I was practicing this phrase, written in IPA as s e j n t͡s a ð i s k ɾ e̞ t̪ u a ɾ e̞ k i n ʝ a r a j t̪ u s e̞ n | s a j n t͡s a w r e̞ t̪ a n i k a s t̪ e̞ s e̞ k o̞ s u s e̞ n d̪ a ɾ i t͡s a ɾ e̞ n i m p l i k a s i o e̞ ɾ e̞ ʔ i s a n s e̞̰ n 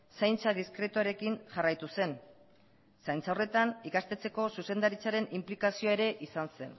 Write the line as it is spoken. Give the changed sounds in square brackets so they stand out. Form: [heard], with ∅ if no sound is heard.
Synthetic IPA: s [a] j n t͡s a ð i s k ɾ e̞ t̪ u a ɾ e̞ k i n ʝ a r a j t̪ u s e̞ n | s a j n t͡s a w r e̞ t̪ a n i k a s t̪ e̞ [t͡s] e̞ k o̞ s u s e̞ n d̪ a ɾ i t͡s a ɾ e̞ n i m p l i k a s i o e̞ ɾ e̞ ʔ i s a n s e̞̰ n